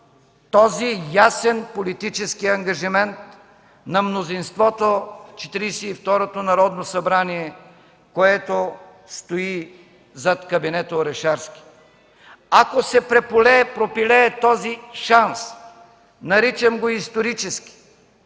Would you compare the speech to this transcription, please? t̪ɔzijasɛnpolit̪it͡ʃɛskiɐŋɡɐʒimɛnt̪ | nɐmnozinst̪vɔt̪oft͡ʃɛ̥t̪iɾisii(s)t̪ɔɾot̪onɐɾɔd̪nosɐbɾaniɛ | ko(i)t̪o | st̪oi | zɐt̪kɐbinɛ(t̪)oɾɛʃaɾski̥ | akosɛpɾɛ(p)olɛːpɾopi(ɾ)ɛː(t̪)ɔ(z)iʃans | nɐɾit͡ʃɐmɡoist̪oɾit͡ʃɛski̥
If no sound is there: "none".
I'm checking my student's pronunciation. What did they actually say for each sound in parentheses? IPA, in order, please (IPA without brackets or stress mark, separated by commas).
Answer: f, ɛ, t̪, p, l, t̪, z